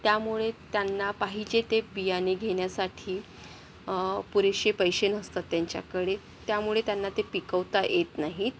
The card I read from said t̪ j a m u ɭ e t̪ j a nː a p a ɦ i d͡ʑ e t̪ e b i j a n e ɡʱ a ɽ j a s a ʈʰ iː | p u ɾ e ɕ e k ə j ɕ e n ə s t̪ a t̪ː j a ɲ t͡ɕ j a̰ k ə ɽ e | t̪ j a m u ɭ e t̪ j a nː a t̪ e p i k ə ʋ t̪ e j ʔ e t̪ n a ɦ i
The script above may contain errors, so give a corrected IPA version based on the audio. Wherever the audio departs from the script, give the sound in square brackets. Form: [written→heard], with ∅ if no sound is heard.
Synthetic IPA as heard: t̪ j a m u ɭ e t̪ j a nː a p a ɦ i d͡ʑ e t̪ e b i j a n e ɡʱ [a→e] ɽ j a s a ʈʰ iː | p u ɾ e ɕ e [k→p] ə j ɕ e n ə s t̪ a t̪ː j a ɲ t͡ɕ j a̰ k ə ɽ e | t̪ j a m u ɭ e t̪ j a nː a t̪ e p i k ə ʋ t̪ [e→a] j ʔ e t̪ n a ɦ i